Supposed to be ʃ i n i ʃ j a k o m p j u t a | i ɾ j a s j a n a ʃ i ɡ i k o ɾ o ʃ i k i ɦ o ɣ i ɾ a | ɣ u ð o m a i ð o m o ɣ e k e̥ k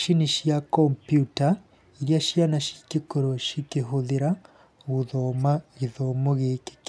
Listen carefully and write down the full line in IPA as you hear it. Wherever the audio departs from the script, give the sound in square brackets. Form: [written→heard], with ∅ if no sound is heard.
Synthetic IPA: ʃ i n i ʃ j a k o m p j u t a | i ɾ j a [s→ʃ] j a n a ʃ i [ɡ→k] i k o ɾ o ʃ i k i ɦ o [ɣ→ð] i ɾ a | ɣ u ð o m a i ð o m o ɣ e k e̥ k